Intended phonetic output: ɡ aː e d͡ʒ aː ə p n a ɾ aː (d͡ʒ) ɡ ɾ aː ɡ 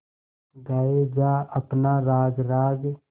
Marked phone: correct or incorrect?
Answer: incorrect: none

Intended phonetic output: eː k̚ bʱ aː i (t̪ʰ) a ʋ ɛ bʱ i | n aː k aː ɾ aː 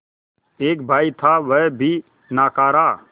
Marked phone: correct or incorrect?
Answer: correct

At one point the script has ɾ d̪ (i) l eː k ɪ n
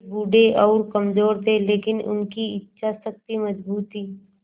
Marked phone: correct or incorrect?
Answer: incorrect: e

